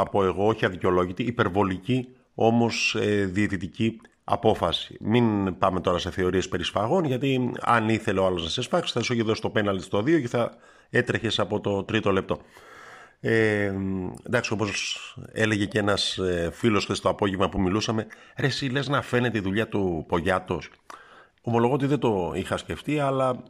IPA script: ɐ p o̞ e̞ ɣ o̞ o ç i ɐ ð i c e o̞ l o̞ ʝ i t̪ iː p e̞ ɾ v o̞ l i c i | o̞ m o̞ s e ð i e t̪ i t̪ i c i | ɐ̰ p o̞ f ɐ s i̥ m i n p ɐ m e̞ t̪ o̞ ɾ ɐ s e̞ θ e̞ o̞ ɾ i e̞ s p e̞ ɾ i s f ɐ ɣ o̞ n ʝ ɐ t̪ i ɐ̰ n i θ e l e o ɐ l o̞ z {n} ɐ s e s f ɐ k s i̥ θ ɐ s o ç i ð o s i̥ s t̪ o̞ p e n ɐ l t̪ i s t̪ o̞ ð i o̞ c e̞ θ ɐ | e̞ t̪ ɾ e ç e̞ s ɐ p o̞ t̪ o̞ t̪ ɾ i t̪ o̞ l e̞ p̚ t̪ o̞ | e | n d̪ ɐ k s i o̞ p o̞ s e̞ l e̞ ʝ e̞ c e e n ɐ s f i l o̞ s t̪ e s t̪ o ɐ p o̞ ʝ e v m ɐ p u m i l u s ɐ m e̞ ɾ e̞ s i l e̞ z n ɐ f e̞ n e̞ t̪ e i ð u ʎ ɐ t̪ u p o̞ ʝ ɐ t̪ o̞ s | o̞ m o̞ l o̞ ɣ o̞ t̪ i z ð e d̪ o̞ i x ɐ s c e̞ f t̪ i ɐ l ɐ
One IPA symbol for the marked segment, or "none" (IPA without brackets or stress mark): n